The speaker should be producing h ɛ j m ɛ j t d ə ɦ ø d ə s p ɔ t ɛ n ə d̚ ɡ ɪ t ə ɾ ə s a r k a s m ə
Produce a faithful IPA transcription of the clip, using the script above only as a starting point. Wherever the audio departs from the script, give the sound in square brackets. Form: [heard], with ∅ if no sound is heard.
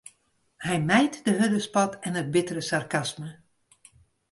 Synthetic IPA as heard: h ɛ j m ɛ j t d ə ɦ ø d ə s p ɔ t ɛ n ə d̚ [b] ɪ t ə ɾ ə s a r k a s m ə